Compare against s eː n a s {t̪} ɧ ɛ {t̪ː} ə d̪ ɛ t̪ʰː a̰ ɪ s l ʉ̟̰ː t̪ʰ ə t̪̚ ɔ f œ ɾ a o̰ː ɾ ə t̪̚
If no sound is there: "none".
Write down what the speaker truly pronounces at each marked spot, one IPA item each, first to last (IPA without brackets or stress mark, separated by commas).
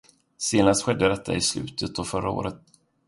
t̪, d̪ː